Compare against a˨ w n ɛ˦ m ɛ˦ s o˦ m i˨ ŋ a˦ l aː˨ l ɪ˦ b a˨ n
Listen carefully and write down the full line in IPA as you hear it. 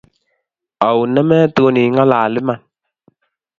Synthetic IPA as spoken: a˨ w n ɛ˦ m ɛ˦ t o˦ n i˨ ŋ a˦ l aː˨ l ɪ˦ m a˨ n